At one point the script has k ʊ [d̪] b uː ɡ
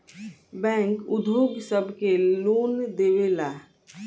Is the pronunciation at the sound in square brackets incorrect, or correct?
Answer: correct